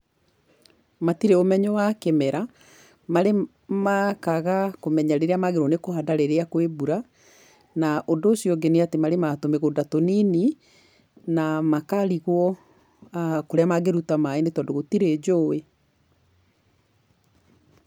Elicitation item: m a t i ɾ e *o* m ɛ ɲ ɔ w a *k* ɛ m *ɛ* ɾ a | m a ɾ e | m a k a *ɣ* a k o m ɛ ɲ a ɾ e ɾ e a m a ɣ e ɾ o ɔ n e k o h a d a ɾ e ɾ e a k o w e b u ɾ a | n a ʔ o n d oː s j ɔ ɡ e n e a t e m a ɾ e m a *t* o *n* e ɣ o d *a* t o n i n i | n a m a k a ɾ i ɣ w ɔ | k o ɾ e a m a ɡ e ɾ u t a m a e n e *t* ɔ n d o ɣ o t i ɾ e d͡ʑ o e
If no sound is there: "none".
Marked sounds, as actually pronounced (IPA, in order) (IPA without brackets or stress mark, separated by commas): o, k, ɛ, ɣ, t, m, a, t